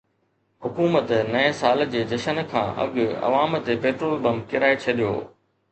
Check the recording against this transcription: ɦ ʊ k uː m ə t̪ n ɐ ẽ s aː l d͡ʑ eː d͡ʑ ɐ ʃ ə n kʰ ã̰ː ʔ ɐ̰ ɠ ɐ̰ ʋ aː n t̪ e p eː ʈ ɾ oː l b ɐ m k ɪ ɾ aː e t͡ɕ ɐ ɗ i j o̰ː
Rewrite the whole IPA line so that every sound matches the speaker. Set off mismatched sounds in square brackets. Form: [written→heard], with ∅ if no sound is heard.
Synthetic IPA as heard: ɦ ʊ k uː m ə t̪ n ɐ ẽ s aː l d͡ʑ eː d͡ʑ ɐ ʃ ə n kʰ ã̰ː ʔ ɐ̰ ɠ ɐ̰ ʋ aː [n→m] t̪ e p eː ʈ ɾ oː l b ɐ m k ɪ ɾ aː e [t͡ɕ→t͡ɕʰ] ɐ ɗ i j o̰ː